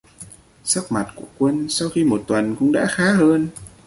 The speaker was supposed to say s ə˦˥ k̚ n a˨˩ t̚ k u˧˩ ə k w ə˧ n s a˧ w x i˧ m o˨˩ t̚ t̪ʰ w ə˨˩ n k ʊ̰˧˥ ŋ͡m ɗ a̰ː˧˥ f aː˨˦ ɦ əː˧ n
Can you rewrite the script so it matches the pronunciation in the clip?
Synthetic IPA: s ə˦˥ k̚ m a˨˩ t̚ k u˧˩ ə k w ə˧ n s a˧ w x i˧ m o˨˩ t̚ t̪ w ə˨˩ n k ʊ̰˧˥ ŋ͡m ɗ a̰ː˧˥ x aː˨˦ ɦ əː˧ n

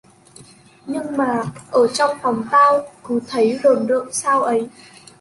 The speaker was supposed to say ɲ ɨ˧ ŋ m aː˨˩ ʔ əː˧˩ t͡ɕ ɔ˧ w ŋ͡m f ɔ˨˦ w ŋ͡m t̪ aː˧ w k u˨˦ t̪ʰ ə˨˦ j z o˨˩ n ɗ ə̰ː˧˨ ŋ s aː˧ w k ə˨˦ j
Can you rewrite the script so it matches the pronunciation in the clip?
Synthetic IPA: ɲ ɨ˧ ŋ m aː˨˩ ʔ əː˧˩ t͡ɕ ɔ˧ w ŋ͡m f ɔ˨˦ w ŋ͡m t̪ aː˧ w k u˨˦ t̪ʰ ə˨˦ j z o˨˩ n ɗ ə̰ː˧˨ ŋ s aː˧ w ʔ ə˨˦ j

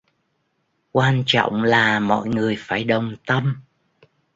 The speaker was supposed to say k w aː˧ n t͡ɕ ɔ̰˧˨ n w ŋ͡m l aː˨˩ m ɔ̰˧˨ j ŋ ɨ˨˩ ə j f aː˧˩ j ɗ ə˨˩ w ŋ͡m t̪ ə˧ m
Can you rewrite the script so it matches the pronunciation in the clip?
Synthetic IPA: k w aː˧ n t͡ɕ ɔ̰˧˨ w ŋ͡m l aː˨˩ m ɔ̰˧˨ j ŋ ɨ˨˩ ə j f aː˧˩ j ɗ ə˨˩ w ŋ͡m t̪ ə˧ m

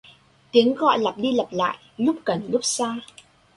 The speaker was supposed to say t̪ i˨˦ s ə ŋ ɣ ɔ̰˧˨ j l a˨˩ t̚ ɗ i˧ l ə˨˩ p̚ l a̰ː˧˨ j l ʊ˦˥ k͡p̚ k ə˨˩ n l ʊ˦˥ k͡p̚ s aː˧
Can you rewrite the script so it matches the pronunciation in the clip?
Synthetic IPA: t̪ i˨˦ ə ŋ ɣ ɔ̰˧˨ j l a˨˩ p̚ ɗ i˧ l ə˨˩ p̚ l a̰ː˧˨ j l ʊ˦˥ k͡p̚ k ə˨˩ n l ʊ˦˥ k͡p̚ s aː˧

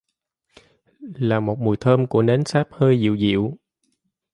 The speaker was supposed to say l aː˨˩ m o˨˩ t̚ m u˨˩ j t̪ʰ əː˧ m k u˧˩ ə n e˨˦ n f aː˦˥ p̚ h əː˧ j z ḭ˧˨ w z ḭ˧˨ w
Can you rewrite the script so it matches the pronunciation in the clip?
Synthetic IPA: l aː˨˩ m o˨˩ t̚ m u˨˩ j t̪ʰ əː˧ m k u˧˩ ə n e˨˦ n s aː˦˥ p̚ h əː˧ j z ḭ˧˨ w z ḭ˧˨ w

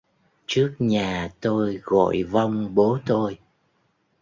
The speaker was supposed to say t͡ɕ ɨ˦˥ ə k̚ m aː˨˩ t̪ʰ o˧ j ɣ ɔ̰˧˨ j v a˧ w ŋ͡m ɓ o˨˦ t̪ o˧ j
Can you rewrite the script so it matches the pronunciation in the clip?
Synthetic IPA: t͡ɕ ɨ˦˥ ə k̚ ɲ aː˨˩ t̪ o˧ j ɣ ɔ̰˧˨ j v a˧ w ŋ͡m ɓ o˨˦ t̪ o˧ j

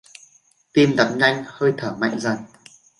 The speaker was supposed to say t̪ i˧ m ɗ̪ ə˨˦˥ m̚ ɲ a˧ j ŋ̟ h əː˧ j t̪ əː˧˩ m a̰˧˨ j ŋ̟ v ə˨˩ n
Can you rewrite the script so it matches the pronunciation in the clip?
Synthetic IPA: t̪ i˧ m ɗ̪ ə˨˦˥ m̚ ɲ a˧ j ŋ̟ h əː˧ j t̪ʰ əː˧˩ m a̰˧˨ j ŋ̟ z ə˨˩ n

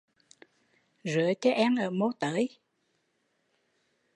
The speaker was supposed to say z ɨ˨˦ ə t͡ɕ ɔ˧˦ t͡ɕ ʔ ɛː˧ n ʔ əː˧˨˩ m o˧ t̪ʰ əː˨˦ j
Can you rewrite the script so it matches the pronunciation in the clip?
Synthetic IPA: z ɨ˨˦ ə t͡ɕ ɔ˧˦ ʔ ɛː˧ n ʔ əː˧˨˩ m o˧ t̪ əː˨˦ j

